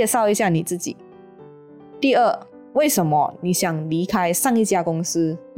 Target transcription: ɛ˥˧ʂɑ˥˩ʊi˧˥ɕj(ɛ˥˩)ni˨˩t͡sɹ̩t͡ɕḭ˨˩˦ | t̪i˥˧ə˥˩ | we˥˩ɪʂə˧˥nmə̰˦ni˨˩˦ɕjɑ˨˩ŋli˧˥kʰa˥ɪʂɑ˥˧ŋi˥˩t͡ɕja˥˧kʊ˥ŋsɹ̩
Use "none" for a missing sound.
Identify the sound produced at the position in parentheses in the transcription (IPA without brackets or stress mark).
a˥˩